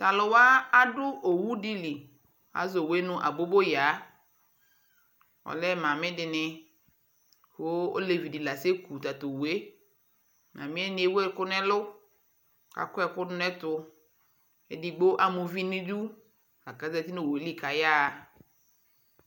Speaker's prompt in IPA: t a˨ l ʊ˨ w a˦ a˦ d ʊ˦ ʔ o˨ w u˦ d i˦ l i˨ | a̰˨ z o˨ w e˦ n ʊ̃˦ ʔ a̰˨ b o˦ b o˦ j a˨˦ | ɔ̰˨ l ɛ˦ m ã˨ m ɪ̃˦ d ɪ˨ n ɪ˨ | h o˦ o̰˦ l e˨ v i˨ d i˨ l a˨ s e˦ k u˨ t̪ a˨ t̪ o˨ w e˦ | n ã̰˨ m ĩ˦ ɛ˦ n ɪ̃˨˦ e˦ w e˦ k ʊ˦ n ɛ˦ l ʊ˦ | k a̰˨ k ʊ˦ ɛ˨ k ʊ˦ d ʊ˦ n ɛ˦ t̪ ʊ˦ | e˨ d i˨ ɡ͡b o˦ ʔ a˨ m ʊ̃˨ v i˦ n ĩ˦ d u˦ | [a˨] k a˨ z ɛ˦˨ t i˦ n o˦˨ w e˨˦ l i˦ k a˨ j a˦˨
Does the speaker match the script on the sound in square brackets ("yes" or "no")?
yes